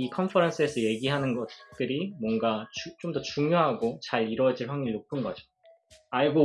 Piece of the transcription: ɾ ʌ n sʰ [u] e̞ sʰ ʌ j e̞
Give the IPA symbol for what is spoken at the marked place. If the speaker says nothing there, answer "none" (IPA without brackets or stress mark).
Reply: ɯ